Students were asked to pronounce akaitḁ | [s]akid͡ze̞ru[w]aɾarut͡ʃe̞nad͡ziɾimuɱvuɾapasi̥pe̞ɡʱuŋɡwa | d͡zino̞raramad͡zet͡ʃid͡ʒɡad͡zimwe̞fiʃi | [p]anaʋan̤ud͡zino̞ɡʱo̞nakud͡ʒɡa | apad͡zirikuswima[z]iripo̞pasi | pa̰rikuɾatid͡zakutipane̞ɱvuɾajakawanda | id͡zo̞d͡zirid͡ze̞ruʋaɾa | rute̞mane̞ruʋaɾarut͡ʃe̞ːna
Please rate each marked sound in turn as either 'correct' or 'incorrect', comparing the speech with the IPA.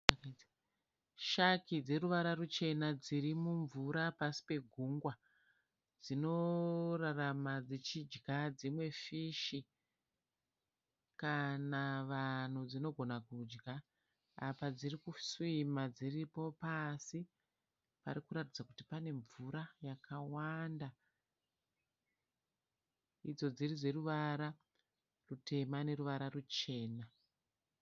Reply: incorrect: ʃ, incorrect: ʋ, incorrect: k, incorrect: d͡z

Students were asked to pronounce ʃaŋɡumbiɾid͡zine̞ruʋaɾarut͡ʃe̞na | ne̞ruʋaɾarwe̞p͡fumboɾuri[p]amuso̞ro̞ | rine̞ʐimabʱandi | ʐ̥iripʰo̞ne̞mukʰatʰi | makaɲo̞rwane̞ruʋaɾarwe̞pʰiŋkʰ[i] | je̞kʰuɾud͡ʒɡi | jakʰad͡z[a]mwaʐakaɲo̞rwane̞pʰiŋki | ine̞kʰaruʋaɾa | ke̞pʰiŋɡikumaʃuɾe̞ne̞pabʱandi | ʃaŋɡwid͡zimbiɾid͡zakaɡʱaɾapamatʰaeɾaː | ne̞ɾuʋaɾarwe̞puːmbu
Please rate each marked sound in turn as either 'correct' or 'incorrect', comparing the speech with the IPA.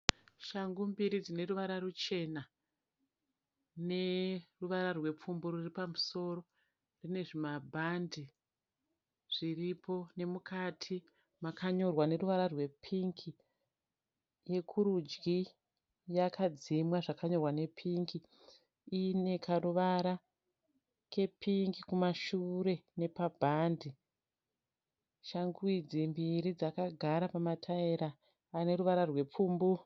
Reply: correct, correct, incorrect: i

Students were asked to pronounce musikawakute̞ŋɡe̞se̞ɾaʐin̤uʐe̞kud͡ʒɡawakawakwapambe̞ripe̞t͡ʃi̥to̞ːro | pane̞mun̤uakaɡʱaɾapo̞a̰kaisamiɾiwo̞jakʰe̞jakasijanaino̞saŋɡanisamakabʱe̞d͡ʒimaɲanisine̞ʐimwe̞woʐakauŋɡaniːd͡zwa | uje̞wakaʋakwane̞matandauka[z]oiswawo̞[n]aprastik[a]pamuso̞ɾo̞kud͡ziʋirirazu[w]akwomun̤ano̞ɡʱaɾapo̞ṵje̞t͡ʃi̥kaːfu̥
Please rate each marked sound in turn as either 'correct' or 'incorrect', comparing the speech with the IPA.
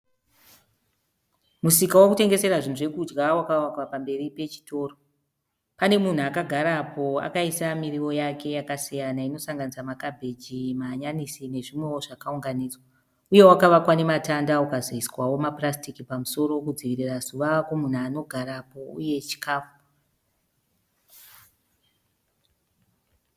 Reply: correct, incorrect: m, incorrect: i, incorrect: ʋ

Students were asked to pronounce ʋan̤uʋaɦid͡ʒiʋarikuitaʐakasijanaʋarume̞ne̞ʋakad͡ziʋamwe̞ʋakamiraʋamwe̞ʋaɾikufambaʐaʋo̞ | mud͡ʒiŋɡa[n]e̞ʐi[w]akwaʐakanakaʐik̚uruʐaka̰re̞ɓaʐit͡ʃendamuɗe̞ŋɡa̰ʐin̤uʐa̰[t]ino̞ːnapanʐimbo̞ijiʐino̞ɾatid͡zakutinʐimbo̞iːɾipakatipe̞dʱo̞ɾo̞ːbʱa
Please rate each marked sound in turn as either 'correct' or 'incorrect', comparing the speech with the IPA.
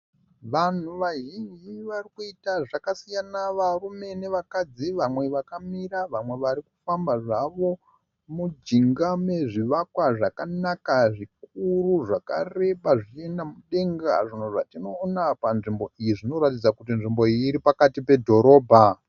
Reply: incorrect: m, incorrect: ʋ, correct

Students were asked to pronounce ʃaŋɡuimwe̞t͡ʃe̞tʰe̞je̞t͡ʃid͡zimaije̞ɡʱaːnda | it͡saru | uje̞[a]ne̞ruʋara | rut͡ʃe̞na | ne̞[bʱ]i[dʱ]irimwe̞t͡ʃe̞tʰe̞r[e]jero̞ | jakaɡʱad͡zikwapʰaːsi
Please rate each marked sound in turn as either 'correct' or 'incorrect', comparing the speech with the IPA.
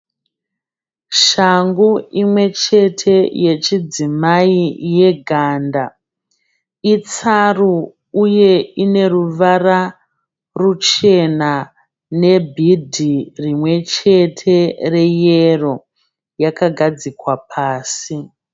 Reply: incorrect: i, correct, correct, correct

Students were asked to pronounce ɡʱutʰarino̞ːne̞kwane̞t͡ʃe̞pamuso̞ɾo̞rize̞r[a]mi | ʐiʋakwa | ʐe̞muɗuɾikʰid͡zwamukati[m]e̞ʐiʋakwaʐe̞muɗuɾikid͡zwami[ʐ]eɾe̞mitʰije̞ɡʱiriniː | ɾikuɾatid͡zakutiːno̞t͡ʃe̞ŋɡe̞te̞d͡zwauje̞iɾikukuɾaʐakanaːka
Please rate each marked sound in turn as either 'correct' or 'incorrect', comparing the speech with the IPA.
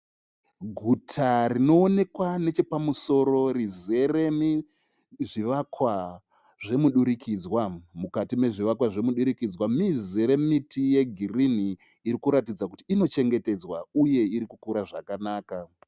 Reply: incorrect: e, correct, incorrect: z

